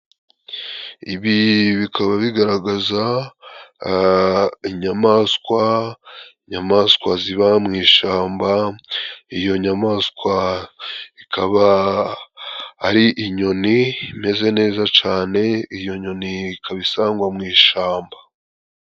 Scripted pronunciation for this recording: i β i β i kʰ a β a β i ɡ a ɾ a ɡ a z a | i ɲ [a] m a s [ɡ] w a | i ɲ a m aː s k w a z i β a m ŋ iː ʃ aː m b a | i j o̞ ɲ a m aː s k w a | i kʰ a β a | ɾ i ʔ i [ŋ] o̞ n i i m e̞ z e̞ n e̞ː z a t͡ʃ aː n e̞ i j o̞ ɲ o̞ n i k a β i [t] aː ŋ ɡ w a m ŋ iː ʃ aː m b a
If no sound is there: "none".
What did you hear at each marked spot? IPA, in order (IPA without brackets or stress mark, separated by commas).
a, k, ɲ, s